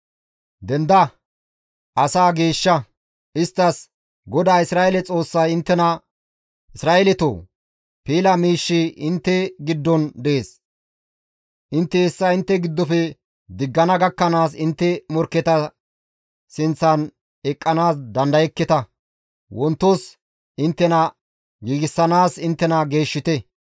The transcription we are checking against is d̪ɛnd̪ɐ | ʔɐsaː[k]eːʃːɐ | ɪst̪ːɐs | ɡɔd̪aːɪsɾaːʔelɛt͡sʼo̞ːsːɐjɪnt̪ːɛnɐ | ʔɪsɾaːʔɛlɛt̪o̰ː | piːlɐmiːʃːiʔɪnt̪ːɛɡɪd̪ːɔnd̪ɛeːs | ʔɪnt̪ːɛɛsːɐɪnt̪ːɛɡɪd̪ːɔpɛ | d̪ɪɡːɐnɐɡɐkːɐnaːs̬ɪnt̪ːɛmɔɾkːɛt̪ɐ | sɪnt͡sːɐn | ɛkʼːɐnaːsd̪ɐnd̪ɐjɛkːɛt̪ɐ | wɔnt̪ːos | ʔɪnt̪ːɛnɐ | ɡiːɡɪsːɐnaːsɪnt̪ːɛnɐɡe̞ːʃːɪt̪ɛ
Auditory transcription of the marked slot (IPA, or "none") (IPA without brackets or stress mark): ɡ